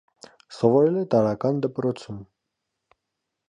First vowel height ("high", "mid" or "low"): mid